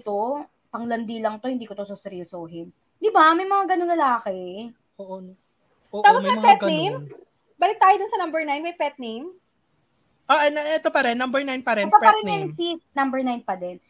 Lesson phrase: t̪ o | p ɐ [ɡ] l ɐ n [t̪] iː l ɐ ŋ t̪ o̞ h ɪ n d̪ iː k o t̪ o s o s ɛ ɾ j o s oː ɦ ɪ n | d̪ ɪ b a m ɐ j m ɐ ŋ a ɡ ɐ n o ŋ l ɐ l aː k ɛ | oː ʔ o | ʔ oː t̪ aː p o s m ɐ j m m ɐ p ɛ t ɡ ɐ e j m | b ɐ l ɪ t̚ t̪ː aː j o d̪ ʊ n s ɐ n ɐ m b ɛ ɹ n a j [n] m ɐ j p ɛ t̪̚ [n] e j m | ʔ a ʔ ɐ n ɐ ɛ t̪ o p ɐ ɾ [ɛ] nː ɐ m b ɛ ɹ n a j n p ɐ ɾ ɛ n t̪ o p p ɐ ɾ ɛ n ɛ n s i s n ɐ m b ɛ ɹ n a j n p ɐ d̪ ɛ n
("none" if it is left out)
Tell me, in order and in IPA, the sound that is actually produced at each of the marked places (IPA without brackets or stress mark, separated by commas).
ŋ, d̪, n, n, ɛ